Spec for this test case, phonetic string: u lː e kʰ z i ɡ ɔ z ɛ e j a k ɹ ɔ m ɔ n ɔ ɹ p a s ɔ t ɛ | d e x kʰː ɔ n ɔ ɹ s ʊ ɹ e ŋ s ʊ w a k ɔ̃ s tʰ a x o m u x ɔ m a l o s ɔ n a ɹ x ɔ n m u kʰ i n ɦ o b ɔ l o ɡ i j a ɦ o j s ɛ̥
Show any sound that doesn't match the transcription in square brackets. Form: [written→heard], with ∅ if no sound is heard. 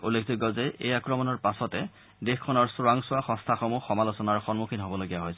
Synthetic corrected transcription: u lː e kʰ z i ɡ ɔ z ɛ e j a k ɹ ɔ m ɔ n ɔ ɹ p a s ɔ t ɛ | d e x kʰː ɔ n ɔ ɹ s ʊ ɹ [e→a] ŋ s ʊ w a [k→x] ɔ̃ s tʰ a x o m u x ɔ m a l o s ɔ n a ɹ x ɔ n m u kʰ i n ɦ o b ɔ l o ɡ i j a ɦ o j s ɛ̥